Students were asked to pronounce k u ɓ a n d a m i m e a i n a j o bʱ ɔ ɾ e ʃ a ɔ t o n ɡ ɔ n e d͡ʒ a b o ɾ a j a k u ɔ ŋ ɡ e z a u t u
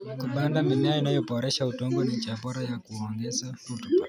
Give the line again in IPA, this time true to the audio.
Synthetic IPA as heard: k u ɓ a n d a m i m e a i n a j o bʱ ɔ ɾ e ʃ a u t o ŋ ɡ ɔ n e d͡ʒ a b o ɾ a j a k u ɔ ŋ ɡ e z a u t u